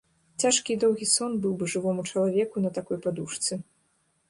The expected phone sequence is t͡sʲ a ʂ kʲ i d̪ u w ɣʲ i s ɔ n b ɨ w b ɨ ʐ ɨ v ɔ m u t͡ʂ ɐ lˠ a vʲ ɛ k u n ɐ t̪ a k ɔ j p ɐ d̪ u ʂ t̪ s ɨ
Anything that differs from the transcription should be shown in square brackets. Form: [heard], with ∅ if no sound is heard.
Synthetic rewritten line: t͡sʲ a ʂ kʲ i d̪ [ɔ] w ɣʲ i s ɔ n b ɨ w b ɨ ʐ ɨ v ɔ m u t͡ʂ ɐ lˠ a vʲ ɛ k u n ɐ t̪ a k ɔ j p [a] d̪ u ʂ t̪ s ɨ